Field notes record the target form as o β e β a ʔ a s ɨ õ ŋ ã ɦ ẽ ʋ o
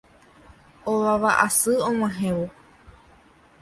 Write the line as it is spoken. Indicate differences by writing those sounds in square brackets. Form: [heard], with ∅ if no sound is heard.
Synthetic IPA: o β [a] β a ʔ a s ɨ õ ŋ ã ɦ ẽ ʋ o